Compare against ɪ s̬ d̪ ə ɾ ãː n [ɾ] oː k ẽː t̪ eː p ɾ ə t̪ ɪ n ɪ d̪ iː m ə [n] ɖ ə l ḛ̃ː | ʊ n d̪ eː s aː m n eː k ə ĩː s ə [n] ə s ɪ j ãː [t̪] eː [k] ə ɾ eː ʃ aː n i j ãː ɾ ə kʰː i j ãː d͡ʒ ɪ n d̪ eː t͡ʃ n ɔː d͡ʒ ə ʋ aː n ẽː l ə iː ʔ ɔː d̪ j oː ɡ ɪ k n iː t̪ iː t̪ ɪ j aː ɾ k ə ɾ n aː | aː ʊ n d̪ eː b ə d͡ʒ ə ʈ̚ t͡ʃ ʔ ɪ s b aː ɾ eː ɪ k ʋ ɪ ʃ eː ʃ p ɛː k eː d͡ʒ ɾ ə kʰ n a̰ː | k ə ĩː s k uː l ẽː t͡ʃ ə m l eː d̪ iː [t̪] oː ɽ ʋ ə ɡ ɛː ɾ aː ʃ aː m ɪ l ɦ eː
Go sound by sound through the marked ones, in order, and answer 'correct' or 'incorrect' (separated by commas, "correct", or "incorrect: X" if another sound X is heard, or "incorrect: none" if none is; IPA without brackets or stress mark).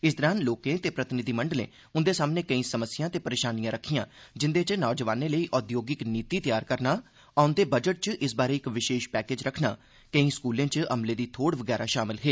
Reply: incorrect: l, incorrect: ɳ, incorrect: m, correct, incorrect: p, incorrect: t̪ʰ